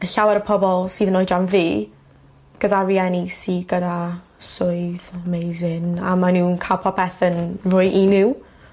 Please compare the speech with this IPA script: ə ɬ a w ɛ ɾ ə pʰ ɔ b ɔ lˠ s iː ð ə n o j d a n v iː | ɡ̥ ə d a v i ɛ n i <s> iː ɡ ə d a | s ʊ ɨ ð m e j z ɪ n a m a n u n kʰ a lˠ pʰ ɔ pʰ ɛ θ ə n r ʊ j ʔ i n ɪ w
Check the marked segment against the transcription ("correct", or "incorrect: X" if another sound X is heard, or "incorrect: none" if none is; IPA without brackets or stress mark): correct